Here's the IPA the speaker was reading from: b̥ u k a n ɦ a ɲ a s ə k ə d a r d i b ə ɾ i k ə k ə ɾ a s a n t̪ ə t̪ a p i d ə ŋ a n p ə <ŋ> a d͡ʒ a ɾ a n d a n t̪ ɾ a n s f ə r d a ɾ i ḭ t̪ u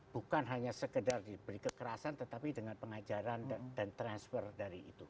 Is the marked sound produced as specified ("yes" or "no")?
yes